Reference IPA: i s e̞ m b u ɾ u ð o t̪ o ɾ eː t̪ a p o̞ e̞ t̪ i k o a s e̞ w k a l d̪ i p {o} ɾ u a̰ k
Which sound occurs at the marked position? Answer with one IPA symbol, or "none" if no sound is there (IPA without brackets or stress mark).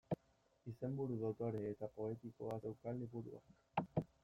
u